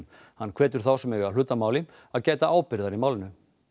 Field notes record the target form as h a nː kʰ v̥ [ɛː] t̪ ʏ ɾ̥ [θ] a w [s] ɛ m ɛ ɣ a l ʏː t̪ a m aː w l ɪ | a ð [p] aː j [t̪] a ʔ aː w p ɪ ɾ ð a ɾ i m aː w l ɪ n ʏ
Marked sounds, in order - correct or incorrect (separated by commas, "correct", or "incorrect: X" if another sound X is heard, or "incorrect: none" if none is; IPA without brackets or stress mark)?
correct, correct, correct, incorrect: c, correct